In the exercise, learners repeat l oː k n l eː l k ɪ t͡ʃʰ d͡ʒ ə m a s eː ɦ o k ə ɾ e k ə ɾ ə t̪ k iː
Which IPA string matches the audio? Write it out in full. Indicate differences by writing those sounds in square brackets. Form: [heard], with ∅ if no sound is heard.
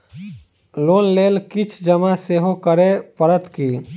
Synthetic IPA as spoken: l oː [∅] n l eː l k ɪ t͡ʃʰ d͡ʒ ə m a s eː ɦ o k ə ɾ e [p] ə ɾ ə t̪ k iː